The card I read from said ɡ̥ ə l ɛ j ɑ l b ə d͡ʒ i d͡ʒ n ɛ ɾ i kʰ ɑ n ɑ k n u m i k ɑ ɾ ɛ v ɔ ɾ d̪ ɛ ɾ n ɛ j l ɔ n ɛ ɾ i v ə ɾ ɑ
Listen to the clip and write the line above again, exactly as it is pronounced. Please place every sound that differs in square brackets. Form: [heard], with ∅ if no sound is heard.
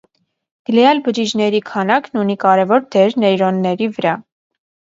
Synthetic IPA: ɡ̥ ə l ɛ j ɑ l b ə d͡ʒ i d͡ʒ n ɛ ɾ i kʰ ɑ n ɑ k n u [n] i k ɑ ɾ ɛ v ɔ ɾ d̪ ɛ ɾ n ɛ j [ɾ] ɔ [nː] ɛ ɾ i v ə ɾ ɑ